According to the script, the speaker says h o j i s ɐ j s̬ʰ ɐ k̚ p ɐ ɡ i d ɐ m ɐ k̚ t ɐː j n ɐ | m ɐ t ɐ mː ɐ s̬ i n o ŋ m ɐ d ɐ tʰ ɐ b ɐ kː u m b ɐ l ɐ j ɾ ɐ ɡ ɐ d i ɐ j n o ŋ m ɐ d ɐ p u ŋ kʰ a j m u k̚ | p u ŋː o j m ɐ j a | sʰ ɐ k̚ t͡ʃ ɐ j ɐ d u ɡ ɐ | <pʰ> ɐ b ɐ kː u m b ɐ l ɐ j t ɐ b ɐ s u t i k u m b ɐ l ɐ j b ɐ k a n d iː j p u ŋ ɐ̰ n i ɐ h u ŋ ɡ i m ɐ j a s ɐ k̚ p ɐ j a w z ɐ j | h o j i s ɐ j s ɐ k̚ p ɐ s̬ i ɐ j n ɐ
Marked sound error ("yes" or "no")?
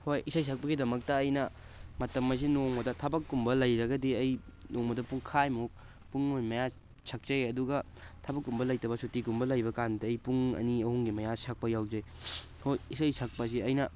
yes